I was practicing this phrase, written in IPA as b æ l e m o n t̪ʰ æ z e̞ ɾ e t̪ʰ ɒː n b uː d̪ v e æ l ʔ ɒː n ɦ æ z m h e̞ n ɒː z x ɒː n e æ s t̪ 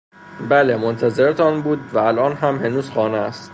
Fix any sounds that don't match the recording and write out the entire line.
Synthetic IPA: b æ l e m o n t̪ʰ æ z e̞ ɾ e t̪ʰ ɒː n b uː d̪ v æ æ l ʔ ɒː n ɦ æ m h e̞ n uː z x ɒː n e æ s t̪